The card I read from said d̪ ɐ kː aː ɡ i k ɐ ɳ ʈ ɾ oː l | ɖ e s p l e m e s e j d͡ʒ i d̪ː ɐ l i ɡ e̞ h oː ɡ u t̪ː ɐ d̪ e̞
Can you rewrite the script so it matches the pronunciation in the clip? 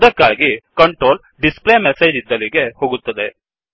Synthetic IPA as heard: d̪ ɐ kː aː ɡ i k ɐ ɳ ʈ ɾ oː l | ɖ i s p l e m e s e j d͡ʒ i d̪ː ɐ l i ɡ e̞ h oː ɡ u t̪ː ɐ d̪ e̞